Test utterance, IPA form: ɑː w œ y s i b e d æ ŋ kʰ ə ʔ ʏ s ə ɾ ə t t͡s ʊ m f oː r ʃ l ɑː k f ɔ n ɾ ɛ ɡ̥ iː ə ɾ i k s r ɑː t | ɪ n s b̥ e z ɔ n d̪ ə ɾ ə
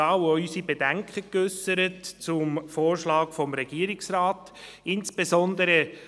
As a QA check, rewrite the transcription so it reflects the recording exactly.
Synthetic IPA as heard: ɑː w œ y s i b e d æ ŋ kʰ ə k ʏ s ə ɾ ə t t͡s ʊ m f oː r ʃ l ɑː k f ɔ m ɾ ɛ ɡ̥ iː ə ɾ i k s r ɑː t | ɪ n s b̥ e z ɔ n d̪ ə ɾ ə